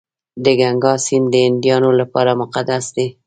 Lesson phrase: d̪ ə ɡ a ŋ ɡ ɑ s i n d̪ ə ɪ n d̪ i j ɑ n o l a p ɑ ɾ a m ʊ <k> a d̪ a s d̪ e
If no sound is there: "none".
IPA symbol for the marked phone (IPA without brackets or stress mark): q